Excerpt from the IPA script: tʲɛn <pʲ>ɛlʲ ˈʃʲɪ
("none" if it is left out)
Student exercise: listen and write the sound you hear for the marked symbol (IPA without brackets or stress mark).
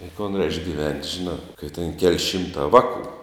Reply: kʲ